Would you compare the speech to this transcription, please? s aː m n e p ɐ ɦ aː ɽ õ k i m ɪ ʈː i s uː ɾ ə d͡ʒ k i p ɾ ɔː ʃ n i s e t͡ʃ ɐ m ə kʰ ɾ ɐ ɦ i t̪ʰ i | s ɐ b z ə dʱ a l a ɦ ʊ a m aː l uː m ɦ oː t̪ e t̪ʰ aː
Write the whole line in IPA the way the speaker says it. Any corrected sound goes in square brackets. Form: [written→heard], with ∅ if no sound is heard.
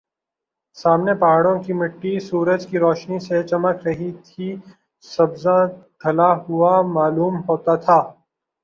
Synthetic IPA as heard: s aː m n e p ɐ ɦ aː ɽ õ k i m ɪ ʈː i s uː ɾ ə d͡ʒ k i [p→∅] ɾ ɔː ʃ n i s e t͡ʃ ɐ m ə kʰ ɾ ɐ ɦ i t̪ʰ i | s ɐ b z [ə→a] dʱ [a→ɐ] l a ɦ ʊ a m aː l uː m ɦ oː t̪ [e→a] t̪ʰ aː